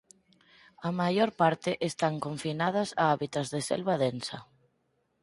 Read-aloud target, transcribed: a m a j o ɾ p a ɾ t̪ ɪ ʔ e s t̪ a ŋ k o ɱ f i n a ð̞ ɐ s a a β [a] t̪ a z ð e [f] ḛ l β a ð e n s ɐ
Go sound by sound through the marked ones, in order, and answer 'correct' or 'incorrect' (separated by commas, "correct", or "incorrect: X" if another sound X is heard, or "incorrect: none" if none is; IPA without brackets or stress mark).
incorrect: i, incorrect: s